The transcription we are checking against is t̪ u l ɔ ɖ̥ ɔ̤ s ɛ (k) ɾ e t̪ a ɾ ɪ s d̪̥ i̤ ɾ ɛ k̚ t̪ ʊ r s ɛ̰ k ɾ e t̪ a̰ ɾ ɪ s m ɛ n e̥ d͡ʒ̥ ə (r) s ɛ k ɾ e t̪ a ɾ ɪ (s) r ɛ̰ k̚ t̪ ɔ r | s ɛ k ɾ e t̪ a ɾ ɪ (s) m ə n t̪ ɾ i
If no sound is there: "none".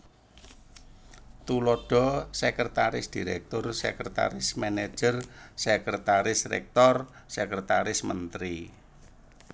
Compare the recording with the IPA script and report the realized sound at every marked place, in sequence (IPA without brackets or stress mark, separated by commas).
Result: k, r, s, s